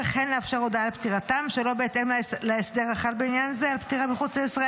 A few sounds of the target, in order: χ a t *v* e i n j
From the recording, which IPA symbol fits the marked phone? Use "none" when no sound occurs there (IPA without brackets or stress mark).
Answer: b